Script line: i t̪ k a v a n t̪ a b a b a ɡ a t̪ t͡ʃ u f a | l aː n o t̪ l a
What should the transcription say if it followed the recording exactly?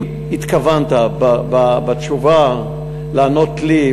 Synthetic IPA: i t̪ k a v a n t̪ a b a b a b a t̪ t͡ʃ u v a | l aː n o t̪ l i